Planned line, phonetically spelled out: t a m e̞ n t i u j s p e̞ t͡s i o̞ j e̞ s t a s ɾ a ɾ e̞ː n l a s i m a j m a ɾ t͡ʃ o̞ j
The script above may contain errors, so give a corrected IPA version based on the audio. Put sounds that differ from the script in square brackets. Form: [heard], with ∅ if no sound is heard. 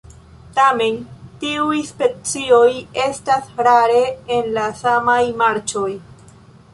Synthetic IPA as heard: t a m e̞ n t i u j s p e̞ t͡s i o̞ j e̞ s t a s ɾ a ɾ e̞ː n l a s [a] m a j m a ɾ t͡ʃ o̞ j